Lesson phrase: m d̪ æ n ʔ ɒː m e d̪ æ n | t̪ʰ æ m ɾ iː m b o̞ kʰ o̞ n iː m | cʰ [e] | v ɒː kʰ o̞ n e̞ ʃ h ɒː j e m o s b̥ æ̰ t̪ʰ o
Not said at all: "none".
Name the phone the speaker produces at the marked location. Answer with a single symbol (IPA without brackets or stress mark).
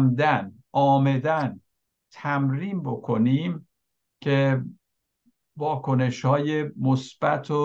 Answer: e